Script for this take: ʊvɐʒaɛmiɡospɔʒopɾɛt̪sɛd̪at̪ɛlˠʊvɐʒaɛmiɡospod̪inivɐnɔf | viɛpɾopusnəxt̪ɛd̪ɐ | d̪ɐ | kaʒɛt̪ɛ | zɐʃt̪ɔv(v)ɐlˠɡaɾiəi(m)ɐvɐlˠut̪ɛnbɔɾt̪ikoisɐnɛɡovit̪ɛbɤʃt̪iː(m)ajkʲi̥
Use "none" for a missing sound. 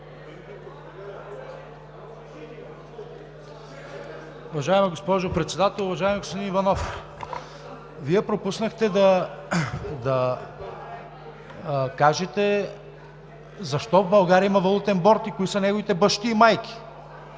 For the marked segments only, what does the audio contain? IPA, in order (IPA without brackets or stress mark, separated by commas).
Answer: b, m, m